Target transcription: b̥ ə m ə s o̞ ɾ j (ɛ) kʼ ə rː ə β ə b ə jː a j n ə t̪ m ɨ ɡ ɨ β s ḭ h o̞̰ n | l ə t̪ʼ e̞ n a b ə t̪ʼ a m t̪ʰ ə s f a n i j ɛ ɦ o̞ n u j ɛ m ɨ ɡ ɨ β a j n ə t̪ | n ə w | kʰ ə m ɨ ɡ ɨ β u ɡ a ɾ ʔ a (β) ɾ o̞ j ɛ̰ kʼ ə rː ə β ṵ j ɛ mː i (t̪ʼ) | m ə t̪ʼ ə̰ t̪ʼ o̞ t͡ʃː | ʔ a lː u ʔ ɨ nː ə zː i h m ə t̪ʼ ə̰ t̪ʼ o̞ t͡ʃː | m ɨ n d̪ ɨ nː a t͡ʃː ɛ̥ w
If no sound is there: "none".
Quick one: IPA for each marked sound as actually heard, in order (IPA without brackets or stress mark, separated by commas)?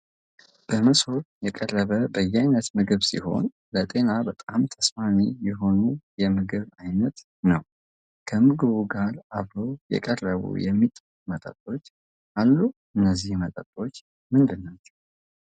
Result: ɛ, β, t̪ʼ